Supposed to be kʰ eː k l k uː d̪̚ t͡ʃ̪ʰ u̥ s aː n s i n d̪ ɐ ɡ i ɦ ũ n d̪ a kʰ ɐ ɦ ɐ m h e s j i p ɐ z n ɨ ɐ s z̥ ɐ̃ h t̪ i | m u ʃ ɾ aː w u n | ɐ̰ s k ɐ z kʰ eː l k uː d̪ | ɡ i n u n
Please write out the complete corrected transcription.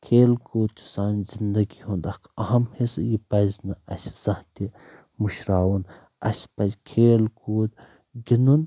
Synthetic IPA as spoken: kʰ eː l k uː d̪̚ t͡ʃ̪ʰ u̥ s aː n z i n d̪ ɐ ɡ i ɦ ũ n d̪ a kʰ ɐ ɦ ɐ m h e s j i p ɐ z n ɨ ɐ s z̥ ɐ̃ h t̪ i | m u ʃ ɾ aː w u n | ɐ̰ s p ɐ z kʰ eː l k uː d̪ | ɡ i n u n